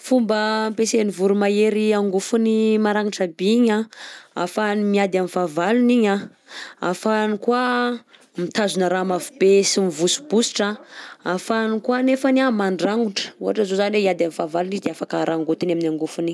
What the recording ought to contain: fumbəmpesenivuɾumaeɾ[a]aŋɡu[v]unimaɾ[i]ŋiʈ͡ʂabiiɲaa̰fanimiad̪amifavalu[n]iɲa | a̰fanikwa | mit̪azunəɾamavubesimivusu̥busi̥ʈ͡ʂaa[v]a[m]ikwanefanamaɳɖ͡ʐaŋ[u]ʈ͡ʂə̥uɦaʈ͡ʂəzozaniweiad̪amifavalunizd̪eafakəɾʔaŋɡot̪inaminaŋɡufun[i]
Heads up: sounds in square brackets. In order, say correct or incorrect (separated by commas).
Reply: incorrect, incorrect, incorrect, correct, incorrect, incorrect, correct, correct